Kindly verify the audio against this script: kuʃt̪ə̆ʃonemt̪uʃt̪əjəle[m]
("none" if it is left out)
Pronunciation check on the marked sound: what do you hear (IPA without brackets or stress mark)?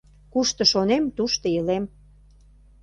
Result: m